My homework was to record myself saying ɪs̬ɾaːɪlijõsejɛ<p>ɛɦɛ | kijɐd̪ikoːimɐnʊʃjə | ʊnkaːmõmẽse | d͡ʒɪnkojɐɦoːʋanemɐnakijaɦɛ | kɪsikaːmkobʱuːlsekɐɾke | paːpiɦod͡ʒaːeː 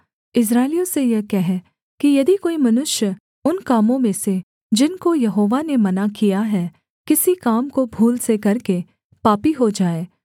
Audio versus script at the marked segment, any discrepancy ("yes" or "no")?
yes